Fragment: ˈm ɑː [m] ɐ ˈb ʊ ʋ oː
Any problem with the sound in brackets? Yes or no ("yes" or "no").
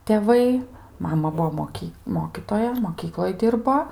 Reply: no